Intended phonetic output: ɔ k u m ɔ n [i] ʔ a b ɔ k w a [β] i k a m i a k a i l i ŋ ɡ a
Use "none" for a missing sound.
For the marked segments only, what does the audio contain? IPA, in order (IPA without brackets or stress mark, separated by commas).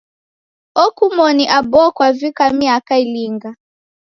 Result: i, v